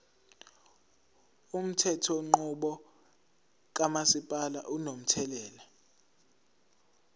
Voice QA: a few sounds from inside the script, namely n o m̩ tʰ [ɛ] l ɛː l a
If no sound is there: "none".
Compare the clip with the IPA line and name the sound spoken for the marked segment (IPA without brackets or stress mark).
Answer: ɛ